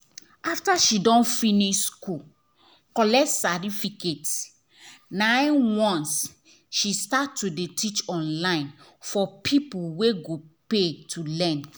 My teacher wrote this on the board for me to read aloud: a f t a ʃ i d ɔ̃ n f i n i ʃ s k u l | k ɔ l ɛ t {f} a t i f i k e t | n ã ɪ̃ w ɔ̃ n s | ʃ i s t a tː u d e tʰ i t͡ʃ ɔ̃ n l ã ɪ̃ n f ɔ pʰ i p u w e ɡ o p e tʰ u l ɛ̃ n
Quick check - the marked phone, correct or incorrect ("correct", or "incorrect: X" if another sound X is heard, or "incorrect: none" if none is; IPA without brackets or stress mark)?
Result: incorrect: s